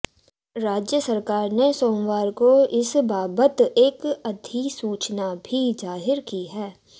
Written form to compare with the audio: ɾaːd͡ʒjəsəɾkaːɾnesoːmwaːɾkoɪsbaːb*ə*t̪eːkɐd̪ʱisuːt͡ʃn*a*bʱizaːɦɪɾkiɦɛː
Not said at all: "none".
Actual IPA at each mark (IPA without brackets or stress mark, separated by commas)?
ə, a